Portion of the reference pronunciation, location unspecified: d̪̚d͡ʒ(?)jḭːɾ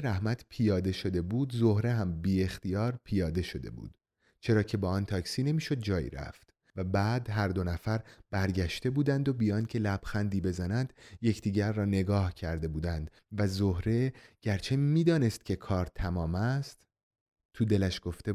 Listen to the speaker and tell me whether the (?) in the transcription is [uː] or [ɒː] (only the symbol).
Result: ɒː